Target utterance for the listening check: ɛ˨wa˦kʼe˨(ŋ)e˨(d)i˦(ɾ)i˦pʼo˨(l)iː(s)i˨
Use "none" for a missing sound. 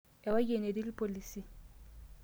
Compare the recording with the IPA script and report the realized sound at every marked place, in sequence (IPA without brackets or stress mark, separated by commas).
n, d, l, l, s